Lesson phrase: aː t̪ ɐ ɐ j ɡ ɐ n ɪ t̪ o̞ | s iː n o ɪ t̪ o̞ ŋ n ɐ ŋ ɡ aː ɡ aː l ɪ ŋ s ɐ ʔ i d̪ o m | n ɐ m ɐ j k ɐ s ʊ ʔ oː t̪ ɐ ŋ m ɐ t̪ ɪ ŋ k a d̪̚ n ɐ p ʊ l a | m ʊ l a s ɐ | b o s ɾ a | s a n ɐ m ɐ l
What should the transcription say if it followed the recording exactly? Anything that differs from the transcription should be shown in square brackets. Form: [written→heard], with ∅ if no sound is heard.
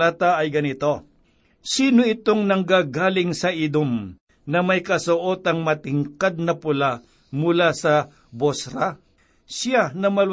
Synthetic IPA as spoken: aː t̪ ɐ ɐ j ɡ ɐ n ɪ t̪ o̞ | s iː n o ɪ t̪ o̞ ŋ n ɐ ŋ ɡ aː ɡ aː l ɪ ŋ s ɐ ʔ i d̪ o m | n ɐ m ɐ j k ɐ s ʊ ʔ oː t̪ ɐ ŋ m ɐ t̪ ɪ ŋ k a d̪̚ n ɐ p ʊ l a | m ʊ l a s ɐ | b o s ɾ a | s a n ɐ m ɐ l